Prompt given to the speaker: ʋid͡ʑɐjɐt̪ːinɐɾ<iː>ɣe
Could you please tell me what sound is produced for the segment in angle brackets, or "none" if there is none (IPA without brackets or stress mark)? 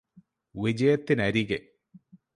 i